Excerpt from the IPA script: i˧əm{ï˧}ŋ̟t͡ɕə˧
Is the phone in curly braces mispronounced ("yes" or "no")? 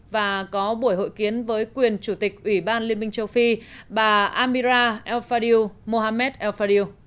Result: no